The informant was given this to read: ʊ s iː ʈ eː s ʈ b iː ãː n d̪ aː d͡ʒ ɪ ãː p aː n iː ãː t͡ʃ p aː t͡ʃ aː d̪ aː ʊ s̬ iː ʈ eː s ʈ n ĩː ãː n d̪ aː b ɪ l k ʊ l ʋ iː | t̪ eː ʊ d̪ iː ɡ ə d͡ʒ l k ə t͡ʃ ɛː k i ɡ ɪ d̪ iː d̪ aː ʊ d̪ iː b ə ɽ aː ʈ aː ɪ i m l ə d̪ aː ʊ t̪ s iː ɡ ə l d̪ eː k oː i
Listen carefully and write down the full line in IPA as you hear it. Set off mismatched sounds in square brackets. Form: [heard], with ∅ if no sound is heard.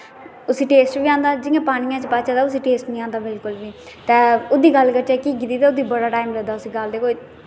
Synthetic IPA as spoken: ʊ s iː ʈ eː s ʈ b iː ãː n d̪ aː d͡ʒ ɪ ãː p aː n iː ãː t͡ʃ p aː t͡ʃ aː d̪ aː ʊ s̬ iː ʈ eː s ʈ n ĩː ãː n d̪ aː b ɪ l k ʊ l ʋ iː | t̪ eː ʊ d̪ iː ɡ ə [∅] l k ə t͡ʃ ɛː k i ɡ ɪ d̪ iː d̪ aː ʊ d̪ iː b ə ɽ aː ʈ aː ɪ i m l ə d̪ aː ʊ [∅] s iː ɡ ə l d̪ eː k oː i